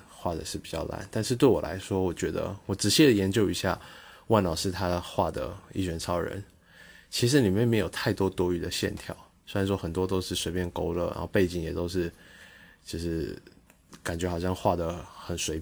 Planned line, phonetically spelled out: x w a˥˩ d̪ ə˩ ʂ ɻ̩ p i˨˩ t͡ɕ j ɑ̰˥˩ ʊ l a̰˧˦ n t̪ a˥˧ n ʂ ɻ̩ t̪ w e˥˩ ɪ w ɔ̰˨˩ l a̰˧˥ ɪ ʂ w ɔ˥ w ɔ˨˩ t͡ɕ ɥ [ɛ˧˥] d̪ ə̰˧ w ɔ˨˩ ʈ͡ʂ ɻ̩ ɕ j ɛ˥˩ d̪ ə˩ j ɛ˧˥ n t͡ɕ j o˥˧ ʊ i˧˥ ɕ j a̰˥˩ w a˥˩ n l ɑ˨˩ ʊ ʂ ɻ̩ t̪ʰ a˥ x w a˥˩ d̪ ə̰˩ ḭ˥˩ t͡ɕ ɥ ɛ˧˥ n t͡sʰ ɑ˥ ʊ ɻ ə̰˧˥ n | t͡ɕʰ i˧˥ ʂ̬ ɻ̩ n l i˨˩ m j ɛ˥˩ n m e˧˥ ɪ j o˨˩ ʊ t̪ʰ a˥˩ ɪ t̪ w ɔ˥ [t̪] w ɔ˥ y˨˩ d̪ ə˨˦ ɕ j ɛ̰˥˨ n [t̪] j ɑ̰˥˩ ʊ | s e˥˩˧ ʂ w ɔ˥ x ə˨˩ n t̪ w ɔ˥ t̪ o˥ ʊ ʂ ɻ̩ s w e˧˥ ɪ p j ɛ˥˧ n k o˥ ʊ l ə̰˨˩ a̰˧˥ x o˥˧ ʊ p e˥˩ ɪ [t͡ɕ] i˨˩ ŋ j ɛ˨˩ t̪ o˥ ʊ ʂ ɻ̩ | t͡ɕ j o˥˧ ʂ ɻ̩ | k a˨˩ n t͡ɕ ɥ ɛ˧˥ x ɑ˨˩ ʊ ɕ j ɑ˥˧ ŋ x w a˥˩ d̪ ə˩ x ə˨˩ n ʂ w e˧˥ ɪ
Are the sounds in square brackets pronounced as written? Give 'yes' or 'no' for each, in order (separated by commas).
yes, yes, no, yes